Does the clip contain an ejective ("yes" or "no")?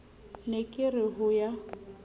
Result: yes